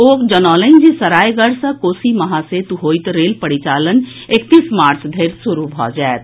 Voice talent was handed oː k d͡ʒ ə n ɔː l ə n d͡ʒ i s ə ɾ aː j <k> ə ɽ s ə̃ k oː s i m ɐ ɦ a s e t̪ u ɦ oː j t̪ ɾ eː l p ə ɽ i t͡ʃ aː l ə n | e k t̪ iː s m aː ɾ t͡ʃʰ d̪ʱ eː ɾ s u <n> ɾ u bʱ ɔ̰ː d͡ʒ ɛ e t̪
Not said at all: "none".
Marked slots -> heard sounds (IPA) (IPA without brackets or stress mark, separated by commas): ɡ, none